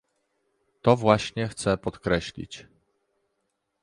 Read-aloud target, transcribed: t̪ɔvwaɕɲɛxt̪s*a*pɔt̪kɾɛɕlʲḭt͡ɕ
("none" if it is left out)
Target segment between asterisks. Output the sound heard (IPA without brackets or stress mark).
ɛ